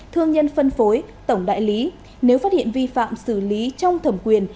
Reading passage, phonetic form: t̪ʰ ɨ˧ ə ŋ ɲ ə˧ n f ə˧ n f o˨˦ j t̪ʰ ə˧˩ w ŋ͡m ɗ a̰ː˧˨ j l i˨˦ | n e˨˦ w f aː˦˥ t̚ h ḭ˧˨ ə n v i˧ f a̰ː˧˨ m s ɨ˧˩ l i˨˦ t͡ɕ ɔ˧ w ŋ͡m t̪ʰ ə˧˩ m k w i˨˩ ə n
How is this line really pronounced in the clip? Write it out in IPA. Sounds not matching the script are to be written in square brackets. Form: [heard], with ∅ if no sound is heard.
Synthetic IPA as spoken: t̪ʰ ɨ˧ ə ŋ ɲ ə˧ n f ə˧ n f o˨˦ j [t̪] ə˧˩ w ŋ͡m ɗ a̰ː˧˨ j l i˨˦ | n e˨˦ w f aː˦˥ t̚ h ḭ˧˨ ə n v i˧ f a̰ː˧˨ m s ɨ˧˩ l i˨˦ t͡ɕ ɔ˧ w ŋ͡m t̪ʰ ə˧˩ m k w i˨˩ ə n